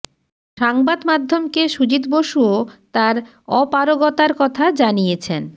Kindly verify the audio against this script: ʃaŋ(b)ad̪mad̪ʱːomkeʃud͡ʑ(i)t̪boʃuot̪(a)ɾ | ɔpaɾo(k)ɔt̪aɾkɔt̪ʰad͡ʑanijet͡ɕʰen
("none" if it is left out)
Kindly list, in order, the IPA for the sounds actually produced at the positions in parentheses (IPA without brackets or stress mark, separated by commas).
b, i, a, ɡ